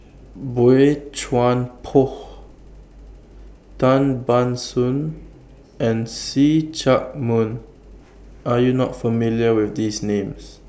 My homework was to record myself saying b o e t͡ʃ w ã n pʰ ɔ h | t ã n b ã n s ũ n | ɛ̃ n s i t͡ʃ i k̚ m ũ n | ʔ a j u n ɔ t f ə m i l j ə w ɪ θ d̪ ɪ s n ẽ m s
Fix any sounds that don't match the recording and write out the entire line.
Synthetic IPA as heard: b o e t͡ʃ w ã n pʰ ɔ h | t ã n b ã n s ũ n | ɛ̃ n s i t͡ʃ a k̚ m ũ n | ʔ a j u n ɔ t f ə m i l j ə w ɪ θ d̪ i s n ẽ m s